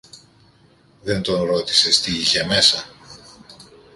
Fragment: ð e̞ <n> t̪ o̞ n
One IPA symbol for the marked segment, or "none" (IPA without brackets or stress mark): n